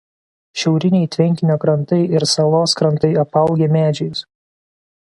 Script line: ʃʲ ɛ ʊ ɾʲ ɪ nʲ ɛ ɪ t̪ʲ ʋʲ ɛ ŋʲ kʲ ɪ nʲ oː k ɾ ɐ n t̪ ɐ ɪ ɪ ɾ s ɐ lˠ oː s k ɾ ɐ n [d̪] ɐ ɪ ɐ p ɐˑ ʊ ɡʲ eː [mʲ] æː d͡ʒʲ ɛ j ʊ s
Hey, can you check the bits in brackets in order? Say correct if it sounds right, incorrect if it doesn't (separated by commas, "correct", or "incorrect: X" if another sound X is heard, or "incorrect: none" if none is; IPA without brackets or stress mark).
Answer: incorrect: t̪, correct